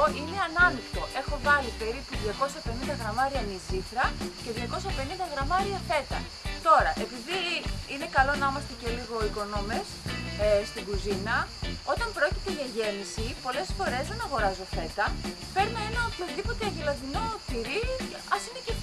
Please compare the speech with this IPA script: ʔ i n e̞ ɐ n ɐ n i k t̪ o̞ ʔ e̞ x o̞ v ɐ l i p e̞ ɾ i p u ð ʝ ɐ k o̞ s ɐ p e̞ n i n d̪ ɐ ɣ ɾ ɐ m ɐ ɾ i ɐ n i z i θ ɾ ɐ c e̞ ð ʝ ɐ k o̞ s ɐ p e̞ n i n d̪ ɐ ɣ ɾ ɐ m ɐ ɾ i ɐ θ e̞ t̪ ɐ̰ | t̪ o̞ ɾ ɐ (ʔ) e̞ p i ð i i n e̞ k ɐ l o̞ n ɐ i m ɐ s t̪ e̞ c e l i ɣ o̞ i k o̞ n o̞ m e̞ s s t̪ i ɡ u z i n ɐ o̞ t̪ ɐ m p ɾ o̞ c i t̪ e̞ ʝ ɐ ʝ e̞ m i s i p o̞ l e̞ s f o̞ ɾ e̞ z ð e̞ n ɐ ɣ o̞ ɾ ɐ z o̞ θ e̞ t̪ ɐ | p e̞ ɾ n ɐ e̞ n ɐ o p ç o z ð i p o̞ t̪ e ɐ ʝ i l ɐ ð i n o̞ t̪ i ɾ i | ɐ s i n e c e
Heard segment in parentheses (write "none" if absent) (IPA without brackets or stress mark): ʔ